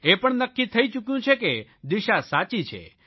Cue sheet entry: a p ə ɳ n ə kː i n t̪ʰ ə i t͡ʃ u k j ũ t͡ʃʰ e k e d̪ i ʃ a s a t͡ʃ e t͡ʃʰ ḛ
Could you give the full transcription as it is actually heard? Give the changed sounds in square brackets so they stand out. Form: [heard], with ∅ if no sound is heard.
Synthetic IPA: [e] p ə ɳ n ə kː i [∅] t̪ʰ ə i t͡ʃ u k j ũ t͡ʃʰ e k e d̪ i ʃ a s a t͡ʃ [i] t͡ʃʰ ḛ